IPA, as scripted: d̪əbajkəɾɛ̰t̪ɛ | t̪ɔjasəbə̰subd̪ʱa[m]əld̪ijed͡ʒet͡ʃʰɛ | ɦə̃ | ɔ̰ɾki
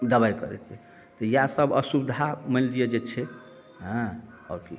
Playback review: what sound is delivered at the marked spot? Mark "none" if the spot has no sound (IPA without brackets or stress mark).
m